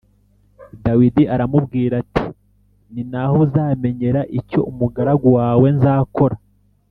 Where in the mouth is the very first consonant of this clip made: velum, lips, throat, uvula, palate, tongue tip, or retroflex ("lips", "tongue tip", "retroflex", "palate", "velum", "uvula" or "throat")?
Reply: tongue tip